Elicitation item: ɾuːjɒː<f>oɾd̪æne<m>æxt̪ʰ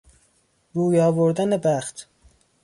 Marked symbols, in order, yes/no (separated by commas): no, no